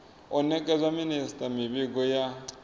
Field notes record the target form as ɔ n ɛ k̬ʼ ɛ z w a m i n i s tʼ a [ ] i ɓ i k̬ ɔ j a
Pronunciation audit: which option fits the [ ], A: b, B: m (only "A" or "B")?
B